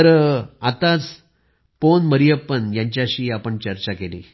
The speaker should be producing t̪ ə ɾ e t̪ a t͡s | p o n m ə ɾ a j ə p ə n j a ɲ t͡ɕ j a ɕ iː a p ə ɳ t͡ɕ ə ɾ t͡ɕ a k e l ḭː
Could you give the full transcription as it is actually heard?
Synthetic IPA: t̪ ə ɾ a t̪ a t͡s | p o n m ə ɾ i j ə p ə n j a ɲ t͡ɕ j a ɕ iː a p ə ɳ t͡ɕ ə ɾ t͡ɕ a k e l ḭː